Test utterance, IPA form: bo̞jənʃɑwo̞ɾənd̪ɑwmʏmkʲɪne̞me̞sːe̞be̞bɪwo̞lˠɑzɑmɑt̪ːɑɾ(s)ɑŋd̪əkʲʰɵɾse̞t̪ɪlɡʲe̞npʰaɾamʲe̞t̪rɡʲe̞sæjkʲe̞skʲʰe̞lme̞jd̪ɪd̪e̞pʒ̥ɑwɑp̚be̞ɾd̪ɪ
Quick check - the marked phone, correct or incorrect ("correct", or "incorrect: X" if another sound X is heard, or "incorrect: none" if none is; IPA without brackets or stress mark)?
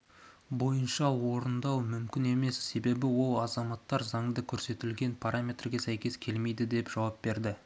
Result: incorrect: z